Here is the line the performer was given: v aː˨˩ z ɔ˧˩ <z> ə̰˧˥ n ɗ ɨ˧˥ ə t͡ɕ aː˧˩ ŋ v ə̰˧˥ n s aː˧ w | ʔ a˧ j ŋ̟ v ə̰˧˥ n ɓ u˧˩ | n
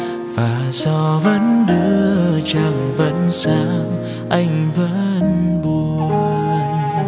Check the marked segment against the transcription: incorrect: v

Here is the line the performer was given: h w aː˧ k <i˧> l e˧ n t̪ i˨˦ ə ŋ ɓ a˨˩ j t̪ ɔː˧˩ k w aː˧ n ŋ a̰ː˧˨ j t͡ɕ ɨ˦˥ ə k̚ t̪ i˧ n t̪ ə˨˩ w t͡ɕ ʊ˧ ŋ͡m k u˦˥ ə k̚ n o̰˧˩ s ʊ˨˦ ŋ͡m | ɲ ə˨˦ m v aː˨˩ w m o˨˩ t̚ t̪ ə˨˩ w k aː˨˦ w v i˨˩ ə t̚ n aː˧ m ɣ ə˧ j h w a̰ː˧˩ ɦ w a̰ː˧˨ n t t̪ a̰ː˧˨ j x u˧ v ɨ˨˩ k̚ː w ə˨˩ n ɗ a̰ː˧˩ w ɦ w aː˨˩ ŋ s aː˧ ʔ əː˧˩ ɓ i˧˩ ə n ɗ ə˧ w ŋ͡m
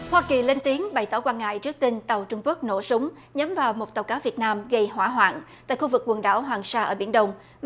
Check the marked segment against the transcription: incorrect: i˨˩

